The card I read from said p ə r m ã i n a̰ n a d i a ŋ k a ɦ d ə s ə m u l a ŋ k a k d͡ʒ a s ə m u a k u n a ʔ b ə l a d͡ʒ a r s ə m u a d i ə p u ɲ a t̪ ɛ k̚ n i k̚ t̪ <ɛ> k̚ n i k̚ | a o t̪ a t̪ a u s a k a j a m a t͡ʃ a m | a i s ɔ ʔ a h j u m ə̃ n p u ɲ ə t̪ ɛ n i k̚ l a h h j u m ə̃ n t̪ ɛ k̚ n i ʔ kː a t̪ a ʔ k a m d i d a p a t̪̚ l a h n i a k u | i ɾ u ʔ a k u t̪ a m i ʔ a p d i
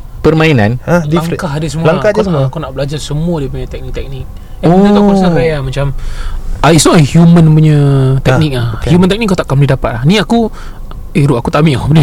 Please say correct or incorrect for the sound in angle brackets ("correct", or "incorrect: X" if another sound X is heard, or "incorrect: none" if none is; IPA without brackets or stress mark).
correct